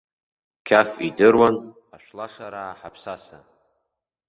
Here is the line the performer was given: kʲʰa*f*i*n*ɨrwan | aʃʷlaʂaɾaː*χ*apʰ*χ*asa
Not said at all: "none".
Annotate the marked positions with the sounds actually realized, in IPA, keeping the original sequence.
f, d, ħ, s

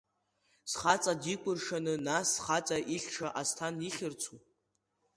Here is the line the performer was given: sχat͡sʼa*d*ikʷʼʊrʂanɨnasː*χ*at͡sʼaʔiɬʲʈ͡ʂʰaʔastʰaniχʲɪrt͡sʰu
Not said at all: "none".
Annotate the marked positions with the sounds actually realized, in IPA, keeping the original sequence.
d, χ

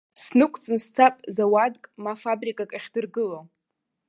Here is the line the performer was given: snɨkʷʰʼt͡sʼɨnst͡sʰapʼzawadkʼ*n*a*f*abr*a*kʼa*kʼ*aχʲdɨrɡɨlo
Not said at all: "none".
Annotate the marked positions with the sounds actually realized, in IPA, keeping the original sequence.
m, f, i, kʼ

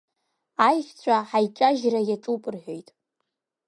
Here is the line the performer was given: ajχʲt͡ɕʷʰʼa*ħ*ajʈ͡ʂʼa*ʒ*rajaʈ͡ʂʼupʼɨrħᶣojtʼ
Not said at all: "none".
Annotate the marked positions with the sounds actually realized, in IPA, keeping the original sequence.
ħ, ʒ

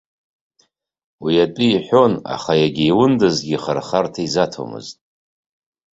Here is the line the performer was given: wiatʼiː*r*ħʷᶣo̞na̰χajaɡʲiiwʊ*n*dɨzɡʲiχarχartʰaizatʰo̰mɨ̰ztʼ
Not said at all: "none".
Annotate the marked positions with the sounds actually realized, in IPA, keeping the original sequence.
none, n

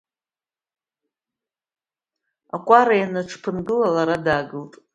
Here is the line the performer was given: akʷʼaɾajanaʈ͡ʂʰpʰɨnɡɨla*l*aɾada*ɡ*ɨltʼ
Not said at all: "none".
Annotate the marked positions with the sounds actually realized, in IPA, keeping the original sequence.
l, ɡ

